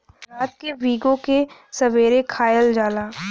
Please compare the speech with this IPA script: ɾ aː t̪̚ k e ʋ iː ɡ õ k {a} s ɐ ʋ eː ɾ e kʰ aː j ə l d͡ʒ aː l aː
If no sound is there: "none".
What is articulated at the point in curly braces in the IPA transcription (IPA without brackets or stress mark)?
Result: e